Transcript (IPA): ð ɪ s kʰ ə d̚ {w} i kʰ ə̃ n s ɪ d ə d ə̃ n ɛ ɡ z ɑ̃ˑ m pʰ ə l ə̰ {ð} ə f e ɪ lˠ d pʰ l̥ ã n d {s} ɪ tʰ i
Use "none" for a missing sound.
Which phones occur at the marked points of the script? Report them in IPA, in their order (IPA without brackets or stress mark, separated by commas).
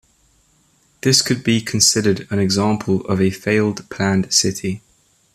b, v, s